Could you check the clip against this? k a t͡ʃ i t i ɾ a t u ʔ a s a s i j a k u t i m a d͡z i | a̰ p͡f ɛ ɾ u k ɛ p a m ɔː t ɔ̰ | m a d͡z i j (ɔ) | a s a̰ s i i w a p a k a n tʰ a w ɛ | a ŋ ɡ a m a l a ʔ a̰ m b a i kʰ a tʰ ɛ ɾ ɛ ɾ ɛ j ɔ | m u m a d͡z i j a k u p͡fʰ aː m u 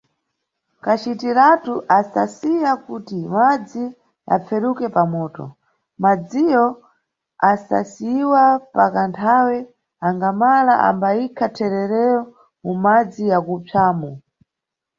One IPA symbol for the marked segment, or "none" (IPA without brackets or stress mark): ɔ